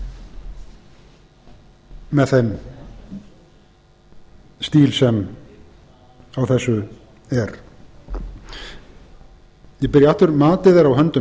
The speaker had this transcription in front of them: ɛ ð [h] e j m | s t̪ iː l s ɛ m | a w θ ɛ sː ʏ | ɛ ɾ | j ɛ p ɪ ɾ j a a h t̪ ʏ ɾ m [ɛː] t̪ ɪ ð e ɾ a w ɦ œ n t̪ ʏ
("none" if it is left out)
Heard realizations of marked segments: θ, aː

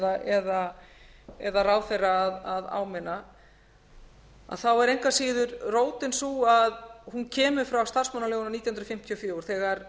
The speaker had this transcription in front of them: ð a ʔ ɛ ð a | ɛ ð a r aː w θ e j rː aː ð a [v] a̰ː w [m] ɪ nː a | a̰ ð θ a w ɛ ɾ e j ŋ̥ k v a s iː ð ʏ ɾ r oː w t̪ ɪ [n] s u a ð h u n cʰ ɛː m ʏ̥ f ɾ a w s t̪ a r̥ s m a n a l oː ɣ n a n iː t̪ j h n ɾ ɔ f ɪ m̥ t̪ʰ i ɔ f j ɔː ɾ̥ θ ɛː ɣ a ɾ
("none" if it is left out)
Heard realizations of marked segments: ð, m, n

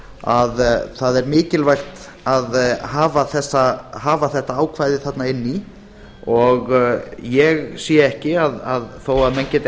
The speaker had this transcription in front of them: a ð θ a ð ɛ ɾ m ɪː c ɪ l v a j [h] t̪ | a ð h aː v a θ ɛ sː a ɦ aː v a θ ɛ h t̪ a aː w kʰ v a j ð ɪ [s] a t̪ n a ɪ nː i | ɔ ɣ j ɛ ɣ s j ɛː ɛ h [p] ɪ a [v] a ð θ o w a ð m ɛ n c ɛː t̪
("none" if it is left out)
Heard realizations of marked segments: x, θ, c, ð

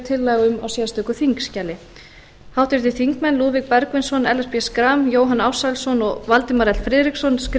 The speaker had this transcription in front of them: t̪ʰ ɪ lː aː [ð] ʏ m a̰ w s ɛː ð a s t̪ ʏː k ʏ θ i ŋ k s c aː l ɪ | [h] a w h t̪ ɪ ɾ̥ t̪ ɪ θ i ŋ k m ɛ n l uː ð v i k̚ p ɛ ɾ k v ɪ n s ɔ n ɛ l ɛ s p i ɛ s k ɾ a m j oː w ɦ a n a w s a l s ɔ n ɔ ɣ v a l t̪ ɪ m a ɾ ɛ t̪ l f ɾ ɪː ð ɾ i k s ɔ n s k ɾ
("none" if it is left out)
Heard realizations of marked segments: ɣ, h

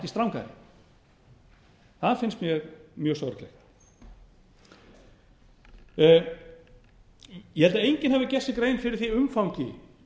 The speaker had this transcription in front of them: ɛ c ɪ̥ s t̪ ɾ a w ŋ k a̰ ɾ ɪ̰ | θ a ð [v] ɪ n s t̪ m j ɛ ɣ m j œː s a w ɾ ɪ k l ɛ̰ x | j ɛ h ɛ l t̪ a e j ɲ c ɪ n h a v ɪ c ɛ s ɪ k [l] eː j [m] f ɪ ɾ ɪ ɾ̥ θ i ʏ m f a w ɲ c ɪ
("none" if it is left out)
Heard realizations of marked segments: f, ɾ, n

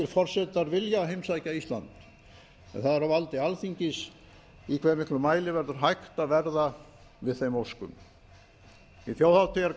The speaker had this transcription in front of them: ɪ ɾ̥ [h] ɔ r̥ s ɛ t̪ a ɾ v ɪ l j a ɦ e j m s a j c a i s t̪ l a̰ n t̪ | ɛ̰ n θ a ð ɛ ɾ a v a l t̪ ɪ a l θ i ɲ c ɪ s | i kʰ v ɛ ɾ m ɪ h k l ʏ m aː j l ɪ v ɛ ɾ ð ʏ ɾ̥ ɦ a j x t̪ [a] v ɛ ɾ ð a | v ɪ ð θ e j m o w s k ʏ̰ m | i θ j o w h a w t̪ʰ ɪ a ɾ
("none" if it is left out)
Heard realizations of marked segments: f, a

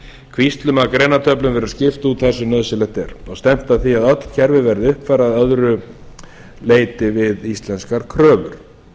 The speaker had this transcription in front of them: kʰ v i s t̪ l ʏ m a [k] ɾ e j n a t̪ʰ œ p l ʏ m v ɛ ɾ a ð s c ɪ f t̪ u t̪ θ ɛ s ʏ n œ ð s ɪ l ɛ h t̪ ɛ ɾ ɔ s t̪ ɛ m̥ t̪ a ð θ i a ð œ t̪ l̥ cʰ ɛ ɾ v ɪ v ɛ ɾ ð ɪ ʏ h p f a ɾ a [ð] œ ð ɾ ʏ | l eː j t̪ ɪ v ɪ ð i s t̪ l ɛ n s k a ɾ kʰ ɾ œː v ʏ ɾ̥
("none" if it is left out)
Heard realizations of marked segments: k, ð

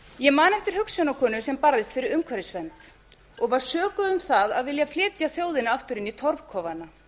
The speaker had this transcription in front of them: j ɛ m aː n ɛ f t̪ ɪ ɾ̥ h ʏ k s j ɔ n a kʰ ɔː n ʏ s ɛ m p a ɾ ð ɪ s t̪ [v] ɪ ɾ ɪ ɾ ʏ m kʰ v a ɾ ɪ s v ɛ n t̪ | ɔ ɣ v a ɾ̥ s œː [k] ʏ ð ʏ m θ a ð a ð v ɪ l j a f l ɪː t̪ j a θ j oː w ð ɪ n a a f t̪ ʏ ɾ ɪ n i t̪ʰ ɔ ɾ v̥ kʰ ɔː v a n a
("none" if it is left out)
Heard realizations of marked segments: f, k

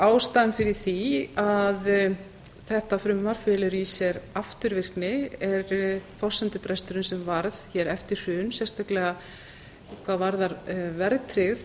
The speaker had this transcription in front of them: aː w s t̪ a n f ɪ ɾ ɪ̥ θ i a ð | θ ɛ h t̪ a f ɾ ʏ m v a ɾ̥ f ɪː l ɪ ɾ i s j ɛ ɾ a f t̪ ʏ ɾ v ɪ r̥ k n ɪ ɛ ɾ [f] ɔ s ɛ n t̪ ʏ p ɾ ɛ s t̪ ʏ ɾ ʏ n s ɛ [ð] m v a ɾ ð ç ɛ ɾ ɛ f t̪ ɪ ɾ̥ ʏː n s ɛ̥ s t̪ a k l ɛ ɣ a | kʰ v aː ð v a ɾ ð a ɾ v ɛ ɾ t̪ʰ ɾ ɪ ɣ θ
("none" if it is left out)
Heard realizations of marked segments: f, none

